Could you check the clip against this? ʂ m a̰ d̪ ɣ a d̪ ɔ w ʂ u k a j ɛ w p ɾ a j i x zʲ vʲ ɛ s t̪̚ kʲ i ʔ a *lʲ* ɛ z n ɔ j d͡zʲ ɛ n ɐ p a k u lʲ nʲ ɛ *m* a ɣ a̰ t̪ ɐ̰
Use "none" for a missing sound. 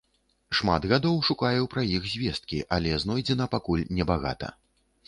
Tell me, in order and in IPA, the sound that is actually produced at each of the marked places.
lʲ, b

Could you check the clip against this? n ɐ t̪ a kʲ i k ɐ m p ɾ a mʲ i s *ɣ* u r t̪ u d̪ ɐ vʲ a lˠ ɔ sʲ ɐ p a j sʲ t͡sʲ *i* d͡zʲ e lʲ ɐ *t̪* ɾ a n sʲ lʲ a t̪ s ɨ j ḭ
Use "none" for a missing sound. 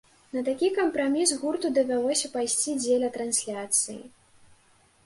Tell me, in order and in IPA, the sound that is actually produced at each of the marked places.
ɣ, i, t̪

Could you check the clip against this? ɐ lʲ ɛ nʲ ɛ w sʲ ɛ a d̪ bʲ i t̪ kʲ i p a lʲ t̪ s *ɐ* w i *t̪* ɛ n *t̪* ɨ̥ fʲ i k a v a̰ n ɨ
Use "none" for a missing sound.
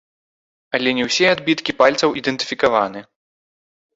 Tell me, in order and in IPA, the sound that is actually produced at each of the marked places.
ɐ, d̪, t̪

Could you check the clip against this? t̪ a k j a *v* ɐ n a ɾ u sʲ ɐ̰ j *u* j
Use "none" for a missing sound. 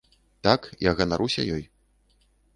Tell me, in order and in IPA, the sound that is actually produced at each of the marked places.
ɣ, ɔ

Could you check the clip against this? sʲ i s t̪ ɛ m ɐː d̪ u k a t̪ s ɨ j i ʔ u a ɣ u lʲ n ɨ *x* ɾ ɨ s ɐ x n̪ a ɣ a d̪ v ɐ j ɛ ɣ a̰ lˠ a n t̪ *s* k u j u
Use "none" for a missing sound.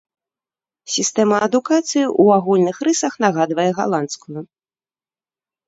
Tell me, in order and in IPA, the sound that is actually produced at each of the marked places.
x, s

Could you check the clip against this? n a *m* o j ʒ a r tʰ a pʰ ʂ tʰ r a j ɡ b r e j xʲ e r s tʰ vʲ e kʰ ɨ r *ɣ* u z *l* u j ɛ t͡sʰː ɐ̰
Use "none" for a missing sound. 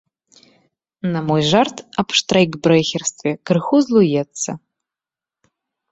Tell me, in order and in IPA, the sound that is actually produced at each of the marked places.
m, x, l

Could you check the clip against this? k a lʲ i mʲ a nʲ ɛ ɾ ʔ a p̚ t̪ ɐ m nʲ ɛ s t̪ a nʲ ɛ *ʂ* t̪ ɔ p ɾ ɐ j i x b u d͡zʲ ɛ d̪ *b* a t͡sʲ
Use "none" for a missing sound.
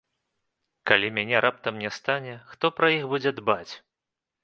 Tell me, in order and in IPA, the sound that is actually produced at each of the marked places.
x, b

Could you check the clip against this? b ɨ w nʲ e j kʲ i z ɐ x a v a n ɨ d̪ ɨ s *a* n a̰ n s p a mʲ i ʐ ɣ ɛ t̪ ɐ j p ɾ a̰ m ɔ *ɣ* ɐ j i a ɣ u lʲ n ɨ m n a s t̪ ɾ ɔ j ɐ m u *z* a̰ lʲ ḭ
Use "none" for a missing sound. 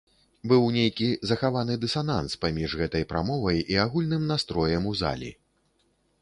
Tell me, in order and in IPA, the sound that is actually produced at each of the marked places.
a, v, z

